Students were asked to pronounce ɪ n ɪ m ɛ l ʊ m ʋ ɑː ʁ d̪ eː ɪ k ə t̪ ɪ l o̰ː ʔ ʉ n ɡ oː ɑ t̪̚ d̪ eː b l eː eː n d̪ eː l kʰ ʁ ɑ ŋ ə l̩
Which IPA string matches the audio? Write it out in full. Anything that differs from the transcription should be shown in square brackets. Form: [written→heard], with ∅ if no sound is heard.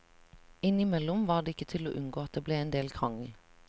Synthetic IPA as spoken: ɪ n ɪ m ɛ l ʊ m ʋ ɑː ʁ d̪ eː ɪ k ə [t̪→t̪ʰ] ɪ l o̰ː ʔ ʉ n ɡ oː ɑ t̪̚ d̪ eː b l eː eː n d̪ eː l kʰ ʁ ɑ ŋ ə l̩